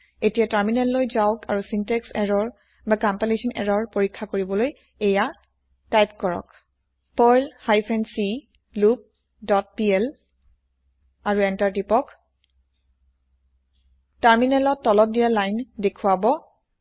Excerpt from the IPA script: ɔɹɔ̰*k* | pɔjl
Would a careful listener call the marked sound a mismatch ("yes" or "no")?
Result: no